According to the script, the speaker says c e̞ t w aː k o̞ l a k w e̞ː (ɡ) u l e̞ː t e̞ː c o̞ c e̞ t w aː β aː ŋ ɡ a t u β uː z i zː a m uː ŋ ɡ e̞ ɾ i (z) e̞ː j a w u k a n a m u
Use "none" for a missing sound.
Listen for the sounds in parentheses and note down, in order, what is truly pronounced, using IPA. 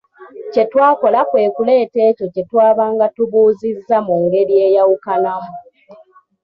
k, none

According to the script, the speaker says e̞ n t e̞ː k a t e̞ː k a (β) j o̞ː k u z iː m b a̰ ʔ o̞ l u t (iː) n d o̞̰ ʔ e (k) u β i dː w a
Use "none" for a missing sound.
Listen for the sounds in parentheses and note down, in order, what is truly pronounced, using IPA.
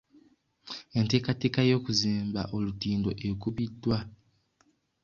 none, iː, k

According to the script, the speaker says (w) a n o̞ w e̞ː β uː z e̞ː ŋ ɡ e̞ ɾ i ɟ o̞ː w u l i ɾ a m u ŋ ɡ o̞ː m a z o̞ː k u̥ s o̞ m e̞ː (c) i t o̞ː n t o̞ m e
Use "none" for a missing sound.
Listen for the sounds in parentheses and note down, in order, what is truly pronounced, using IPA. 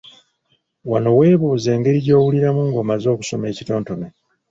w, c

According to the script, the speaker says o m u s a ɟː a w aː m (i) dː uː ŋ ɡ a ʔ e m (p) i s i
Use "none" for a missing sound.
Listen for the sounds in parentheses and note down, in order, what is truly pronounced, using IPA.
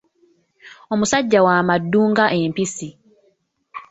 a, p

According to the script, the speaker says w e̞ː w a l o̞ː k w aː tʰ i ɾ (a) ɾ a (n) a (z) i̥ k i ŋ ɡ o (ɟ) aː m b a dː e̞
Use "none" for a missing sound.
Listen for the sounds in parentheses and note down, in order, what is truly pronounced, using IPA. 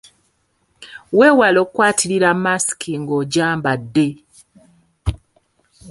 i, m, s, ɟ

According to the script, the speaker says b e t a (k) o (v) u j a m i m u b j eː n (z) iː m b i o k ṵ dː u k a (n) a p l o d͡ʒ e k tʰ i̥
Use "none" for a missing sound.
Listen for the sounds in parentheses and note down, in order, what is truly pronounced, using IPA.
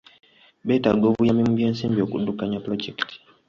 ɡ, v, s, ɲ

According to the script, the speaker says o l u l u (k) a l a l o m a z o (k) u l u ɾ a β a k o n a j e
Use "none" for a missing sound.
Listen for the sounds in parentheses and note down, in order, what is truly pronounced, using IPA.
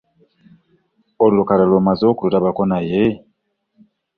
k, k

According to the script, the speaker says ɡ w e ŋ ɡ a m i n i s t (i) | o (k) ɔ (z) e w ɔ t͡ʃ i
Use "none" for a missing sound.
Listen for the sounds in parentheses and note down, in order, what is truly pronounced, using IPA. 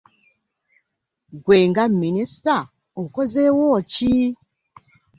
a, k, z

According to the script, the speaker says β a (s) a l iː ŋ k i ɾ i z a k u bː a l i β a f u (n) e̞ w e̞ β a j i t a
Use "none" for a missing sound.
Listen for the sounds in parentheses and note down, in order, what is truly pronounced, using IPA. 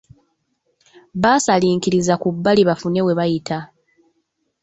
s, n

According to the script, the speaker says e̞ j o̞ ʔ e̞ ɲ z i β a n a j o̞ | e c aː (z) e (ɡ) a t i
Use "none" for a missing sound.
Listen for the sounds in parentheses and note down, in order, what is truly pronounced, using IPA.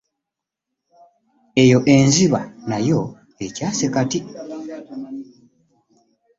s, k

